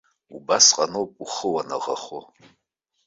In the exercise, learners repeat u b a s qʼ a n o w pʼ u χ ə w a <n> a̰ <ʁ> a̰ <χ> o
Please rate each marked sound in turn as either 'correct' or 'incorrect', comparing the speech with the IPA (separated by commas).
correct, correct, correct